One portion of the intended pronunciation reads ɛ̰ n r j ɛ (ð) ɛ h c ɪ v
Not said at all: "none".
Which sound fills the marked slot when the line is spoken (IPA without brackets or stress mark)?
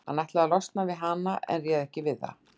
ð